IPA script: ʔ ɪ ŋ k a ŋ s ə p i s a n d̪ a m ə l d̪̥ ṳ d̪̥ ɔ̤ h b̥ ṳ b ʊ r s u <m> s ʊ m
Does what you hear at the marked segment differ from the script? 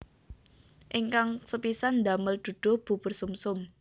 no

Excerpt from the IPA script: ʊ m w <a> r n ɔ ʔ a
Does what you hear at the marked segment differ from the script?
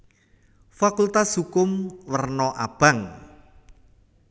yes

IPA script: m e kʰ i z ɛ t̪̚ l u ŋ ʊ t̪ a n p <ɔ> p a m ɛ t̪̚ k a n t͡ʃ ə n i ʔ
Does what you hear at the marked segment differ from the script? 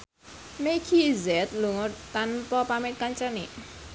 no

